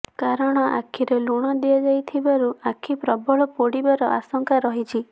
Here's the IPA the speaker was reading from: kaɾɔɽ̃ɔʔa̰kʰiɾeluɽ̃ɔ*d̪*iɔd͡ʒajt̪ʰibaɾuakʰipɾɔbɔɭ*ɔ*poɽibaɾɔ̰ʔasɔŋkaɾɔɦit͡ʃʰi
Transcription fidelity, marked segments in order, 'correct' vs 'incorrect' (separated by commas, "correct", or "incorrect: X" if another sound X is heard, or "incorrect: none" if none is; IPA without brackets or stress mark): correct, correct